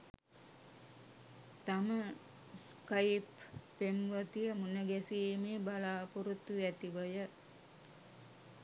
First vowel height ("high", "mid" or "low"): low